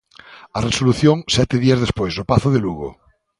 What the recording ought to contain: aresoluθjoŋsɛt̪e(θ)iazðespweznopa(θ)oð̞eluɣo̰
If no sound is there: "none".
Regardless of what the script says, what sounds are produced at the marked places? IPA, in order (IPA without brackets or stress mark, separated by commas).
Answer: ð, θ